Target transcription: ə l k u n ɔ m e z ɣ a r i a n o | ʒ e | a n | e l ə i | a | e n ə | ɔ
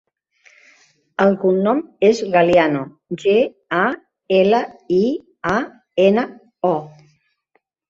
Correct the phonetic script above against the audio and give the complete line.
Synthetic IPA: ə l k u nː ɔ m e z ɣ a l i a n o | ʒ e | a | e l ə i | a | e n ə | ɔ